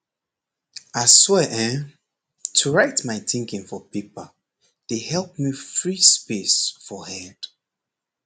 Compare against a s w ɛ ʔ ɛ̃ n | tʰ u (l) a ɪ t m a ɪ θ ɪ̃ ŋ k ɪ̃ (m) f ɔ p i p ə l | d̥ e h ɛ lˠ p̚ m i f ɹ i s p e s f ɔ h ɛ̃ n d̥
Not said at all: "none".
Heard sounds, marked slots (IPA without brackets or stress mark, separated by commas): ɹ, ŋ